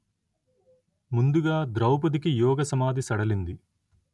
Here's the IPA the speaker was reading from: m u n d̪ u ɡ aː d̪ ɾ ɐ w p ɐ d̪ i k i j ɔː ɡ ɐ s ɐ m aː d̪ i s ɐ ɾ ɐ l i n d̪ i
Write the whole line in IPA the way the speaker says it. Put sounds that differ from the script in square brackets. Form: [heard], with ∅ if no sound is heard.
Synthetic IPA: m u n d̪ u ɡ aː d̪ ɾ ɐ w p ɐ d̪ i k i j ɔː ɡ ɐ s ɐ m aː d̪ i s ɐ [ɽ] ɐ l i n d̪ i